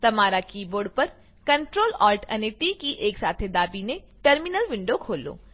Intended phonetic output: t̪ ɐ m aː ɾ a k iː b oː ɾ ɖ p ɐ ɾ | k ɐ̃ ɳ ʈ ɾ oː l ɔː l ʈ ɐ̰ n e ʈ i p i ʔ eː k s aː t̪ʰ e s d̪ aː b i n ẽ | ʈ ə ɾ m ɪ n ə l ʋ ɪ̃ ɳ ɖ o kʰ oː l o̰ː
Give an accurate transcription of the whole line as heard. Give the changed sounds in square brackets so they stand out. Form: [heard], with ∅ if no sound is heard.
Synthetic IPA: t̪ ɐ m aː ɾ a k iː b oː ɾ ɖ p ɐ ɾ | k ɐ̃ ɳ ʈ ɾ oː l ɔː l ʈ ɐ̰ n e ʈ i [k] i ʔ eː k s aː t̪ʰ e [∅] d̪ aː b i n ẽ | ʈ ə ɾ m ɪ n ə l ʋ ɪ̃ ɳ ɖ o kʰ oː l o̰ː